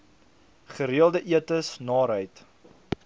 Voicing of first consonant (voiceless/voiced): voiceless